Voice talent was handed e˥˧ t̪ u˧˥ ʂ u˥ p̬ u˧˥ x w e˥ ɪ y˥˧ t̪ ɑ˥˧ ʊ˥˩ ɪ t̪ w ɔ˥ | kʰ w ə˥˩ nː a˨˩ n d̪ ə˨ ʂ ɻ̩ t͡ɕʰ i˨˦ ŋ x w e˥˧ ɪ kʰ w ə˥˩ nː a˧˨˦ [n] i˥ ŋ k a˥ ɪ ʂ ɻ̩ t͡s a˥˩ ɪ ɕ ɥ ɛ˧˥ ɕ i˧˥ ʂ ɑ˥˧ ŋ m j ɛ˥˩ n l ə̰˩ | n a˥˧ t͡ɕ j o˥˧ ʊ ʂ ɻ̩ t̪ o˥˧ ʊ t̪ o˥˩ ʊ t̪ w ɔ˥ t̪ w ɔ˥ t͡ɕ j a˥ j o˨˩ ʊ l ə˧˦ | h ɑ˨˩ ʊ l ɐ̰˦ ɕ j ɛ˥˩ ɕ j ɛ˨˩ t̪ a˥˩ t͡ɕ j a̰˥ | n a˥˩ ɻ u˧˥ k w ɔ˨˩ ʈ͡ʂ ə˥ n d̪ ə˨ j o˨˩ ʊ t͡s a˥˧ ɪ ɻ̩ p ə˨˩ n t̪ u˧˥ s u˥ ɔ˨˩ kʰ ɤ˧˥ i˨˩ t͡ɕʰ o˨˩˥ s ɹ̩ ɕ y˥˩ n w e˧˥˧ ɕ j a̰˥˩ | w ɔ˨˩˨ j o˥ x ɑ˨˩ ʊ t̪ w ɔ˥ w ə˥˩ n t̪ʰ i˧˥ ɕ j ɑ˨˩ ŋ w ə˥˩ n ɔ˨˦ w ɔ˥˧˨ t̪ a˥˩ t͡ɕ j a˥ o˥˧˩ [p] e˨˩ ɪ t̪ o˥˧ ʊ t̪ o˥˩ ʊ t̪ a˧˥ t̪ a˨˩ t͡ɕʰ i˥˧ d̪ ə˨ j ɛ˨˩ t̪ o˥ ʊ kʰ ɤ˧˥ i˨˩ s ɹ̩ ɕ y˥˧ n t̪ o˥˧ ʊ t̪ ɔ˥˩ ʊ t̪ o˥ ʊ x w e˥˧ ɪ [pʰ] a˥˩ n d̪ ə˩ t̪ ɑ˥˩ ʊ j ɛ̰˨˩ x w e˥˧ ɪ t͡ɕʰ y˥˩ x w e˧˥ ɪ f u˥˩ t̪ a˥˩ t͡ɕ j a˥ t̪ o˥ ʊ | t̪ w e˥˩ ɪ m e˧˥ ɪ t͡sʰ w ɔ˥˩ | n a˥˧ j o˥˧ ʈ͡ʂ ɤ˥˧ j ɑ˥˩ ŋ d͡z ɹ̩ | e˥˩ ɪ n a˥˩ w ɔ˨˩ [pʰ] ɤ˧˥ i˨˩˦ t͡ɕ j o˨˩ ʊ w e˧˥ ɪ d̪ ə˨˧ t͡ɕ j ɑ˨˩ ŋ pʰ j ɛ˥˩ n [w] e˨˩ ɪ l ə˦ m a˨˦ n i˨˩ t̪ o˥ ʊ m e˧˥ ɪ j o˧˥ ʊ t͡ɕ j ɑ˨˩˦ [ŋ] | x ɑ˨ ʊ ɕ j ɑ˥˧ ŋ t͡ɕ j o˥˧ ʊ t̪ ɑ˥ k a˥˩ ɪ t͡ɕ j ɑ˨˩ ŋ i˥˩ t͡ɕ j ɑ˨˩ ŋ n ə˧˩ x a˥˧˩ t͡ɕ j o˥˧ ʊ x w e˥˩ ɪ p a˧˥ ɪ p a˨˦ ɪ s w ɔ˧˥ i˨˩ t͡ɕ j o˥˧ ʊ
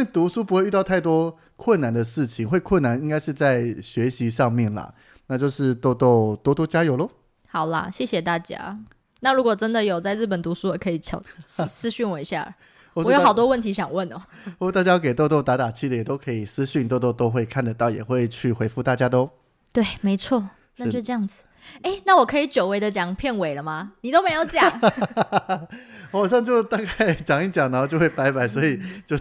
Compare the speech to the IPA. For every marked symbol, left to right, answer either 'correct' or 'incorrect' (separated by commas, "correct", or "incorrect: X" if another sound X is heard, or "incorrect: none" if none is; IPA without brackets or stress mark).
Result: correct, incorrect: k, incorrect: kʰ, incorrect: kʰ, correct, correct